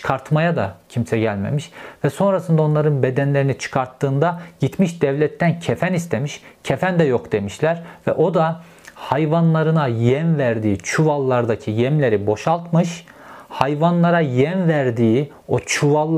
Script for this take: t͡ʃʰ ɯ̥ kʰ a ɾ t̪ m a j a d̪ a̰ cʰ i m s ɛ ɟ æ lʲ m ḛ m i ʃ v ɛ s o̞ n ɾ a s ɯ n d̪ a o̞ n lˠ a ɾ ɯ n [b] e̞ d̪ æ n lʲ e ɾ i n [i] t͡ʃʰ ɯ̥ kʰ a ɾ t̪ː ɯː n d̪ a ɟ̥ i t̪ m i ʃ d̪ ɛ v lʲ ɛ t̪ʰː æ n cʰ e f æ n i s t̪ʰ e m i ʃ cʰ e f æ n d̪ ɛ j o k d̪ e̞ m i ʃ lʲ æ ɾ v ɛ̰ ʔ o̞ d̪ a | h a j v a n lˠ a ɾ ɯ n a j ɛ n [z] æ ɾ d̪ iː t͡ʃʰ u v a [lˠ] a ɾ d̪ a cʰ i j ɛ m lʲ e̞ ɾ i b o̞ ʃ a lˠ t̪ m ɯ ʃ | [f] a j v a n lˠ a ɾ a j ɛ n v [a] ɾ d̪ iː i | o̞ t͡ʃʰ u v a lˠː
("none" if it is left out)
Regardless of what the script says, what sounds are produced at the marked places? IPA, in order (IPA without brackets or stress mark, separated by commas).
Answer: b, i, v, lˠː, h, æ